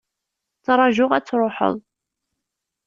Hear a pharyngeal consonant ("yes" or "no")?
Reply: yes